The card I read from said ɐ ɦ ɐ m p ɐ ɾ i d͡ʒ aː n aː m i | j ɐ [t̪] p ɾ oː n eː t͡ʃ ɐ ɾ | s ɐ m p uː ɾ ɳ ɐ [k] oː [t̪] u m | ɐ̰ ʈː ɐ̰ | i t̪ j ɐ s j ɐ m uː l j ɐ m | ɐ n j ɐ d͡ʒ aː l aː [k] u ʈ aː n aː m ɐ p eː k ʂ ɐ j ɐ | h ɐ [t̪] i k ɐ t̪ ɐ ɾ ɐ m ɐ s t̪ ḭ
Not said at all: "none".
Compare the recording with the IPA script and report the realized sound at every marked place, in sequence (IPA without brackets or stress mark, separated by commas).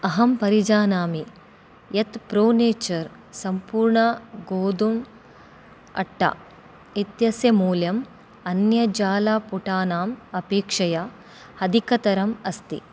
t̪, ɡ, d̪, p, d̪